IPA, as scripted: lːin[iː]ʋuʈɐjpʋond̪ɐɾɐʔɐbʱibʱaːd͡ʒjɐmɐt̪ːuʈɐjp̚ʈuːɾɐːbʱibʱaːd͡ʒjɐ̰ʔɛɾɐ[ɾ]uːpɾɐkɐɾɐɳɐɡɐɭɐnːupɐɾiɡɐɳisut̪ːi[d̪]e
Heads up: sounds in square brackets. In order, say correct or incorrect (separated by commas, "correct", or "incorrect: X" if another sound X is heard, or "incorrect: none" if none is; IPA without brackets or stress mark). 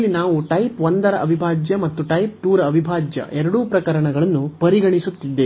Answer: incorrect: aː, incorrect: ɽ, incorrect: d̪ː